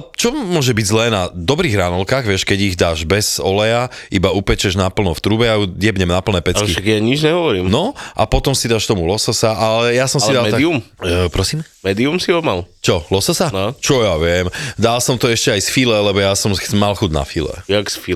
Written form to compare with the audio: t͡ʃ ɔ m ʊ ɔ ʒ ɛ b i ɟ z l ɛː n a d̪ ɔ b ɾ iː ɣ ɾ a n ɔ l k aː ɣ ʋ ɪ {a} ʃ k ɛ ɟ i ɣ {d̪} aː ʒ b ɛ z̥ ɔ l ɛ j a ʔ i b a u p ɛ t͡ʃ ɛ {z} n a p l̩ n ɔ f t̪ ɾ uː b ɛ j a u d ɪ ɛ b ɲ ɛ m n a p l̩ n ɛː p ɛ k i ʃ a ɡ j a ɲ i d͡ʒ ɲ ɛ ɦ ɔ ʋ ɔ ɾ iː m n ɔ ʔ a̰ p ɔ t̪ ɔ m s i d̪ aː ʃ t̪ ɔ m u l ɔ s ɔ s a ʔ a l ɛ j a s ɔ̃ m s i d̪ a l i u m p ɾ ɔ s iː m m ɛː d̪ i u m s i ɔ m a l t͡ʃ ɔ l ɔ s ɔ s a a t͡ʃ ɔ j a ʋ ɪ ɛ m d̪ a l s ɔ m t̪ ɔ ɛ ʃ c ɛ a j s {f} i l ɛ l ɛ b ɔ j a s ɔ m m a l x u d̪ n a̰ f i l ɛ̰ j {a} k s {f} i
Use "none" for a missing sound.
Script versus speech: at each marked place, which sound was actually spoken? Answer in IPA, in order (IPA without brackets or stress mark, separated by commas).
ɛ, d̪, ʒ, f, a, f